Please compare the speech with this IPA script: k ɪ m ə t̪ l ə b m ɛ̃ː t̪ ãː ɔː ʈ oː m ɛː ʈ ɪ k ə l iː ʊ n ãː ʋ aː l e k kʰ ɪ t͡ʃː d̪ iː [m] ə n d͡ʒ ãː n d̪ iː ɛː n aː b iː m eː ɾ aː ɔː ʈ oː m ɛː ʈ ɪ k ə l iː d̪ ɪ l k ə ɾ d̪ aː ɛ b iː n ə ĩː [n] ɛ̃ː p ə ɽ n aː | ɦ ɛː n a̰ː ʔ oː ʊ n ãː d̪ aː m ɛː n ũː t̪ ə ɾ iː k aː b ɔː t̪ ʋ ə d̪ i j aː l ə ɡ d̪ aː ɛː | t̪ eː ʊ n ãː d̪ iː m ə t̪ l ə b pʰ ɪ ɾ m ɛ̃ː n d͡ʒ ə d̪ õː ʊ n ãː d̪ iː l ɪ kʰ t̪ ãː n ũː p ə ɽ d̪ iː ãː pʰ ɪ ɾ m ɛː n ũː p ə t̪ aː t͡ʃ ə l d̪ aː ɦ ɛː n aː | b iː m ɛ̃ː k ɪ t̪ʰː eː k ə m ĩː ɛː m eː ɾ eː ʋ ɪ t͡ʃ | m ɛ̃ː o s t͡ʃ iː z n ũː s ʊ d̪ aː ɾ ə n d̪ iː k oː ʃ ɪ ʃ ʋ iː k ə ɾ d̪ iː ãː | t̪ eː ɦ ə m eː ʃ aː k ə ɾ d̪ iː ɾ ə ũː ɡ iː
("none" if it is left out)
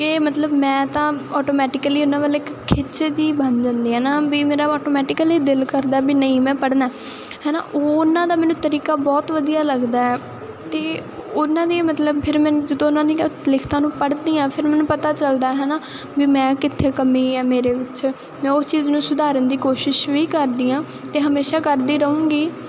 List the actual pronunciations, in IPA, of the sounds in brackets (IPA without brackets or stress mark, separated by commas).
b, m